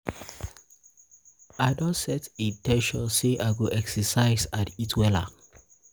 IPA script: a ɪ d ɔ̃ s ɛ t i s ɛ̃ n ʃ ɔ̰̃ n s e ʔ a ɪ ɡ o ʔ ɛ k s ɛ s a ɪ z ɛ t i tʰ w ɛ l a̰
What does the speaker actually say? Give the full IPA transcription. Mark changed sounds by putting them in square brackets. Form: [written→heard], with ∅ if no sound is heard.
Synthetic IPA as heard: a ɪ d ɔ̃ s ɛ t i [s→t] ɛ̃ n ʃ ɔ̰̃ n s e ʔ a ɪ ɡ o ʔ ɛ k s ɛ s a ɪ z [ɛ→a] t i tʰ w ɛ l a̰